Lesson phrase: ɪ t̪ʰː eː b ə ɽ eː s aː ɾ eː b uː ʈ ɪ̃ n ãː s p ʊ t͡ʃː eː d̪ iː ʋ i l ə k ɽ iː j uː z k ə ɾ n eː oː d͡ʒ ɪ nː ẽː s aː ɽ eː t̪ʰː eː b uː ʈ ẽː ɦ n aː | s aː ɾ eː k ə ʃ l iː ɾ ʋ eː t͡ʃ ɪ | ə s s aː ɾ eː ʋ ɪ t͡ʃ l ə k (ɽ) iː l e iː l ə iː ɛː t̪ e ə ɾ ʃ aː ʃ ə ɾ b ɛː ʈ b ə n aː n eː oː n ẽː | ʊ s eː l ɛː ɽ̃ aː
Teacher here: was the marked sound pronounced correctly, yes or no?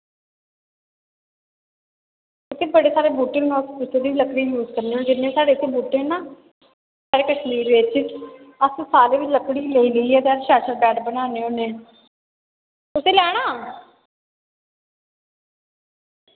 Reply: yes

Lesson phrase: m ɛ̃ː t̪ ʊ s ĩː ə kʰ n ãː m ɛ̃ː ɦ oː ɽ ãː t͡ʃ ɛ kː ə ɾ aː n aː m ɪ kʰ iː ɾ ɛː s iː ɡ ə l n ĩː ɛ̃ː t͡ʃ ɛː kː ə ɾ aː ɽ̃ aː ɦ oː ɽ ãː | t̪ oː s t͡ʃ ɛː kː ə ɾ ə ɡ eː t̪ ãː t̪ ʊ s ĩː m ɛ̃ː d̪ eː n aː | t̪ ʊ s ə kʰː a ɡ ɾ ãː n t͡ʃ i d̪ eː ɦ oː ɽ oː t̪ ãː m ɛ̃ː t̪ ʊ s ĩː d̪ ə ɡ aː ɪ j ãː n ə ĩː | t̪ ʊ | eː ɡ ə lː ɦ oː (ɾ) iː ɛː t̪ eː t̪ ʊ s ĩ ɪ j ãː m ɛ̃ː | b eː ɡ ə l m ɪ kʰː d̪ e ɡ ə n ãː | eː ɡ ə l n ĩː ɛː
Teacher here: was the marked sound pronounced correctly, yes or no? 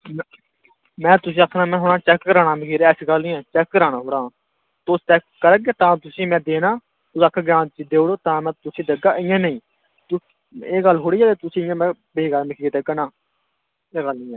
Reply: no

